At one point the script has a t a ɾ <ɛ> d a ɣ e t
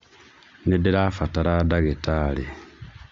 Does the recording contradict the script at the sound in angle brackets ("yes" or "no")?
yes